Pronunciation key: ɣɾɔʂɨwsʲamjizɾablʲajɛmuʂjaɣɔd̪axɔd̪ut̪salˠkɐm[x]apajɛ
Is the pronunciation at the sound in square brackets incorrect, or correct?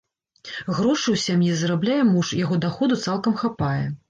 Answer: correct